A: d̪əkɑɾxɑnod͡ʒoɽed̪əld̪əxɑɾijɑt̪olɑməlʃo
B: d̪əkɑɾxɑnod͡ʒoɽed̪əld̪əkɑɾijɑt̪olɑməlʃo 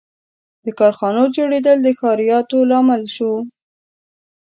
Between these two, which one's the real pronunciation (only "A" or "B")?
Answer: A